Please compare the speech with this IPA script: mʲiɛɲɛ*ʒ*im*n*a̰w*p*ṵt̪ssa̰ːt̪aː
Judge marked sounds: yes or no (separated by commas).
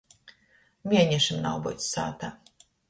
no, yes, no